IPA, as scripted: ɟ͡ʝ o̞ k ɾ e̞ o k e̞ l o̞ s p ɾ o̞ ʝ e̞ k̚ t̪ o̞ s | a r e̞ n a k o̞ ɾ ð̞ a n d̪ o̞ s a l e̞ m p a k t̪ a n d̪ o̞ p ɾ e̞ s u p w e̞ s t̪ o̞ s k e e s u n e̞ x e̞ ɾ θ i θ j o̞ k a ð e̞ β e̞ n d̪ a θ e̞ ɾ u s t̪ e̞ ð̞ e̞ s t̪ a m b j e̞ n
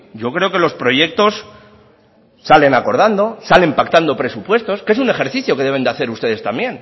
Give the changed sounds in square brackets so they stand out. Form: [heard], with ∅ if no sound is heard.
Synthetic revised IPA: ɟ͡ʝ o̞ k ɾ e̞ o k e̞ l o̞ s p ɾ o̞ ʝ e̞ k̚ t̪ o̞ s | a [l] e̞ n a k o̞ ɾ ð̞ a n d̪ o̞ s a l e̞ m p a k t̪ a n d̪ o̞ p ɾ e̞ s u p w e̞ s t̪ o̞ s k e e s u n e̞ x e̞ ɾ θ i θ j o̞ k [e] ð e̞ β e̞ n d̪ a θ e̞ ɾ u s t̪ e̞ ð̞ e̞ s t̪ a m b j e̞ n